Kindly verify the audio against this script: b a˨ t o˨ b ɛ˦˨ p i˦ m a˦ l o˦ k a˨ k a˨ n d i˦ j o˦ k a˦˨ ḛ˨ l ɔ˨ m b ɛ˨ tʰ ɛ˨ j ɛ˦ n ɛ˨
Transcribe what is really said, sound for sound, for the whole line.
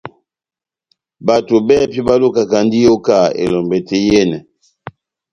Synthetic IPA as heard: b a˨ t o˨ b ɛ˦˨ p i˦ b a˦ l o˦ k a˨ k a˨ n d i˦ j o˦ k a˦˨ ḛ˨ l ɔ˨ m b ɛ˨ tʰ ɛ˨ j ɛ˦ n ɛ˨